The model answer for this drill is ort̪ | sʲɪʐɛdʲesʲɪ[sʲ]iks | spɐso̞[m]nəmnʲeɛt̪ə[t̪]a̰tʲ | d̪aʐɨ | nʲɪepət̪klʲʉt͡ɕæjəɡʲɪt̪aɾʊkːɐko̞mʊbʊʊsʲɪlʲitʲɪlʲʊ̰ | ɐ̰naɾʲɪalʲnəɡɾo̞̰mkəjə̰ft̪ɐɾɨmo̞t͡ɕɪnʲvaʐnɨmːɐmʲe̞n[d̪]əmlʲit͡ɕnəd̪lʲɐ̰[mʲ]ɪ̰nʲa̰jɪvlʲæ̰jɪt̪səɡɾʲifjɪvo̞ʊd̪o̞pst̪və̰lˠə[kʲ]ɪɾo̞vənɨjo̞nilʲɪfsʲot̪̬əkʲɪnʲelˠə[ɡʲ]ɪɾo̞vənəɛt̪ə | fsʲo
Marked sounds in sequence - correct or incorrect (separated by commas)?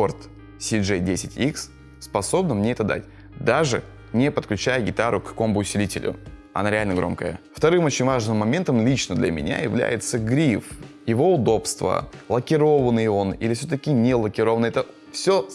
incorrect, incorrect, incorrect, incorrect, correct, correct, incorrect